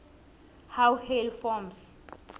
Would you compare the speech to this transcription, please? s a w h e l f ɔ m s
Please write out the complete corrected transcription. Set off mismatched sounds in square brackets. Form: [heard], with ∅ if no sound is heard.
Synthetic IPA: [h] a w h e l f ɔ m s